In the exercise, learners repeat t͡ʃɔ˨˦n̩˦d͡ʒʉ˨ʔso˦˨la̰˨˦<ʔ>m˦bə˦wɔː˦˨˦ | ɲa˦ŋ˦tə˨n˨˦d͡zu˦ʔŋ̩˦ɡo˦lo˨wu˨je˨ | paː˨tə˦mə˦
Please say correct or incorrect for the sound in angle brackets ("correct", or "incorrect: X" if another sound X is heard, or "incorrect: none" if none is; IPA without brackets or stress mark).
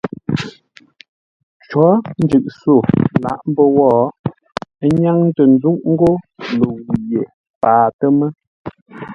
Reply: correct